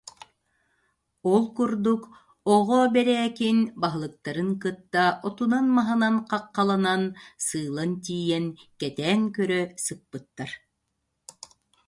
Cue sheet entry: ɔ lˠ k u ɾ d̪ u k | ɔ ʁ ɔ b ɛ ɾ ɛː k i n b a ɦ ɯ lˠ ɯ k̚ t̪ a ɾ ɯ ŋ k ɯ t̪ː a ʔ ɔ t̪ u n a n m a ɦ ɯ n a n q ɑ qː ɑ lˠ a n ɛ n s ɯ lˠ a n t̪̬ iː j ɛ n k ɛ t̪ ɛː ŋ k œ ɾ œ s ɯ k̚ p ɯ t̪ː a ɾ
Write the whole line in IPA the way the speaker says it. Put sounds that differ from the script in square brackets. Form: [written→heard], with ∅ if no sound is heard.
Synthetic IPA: ɔ lˠ k u ɾ d̪ u k | ɔ ʁ ɔ b ɛ ɾ ɛː k i n b a ɦ ɯ lˠ ɯ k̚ t̪ a ɾ ɯ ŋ k ɯ t̪ː a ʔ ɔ t̪ u n a n m a ɦ ɯ n a n q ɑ qː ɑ lˠ a n [ɛ→a] n s [ɯ→ɯː] lˠ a n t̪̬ iː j ɛ n k ɛ t̪ ɛː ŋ k œ ɾ œ s ɯ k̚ p ɯ t̪ː a ɾ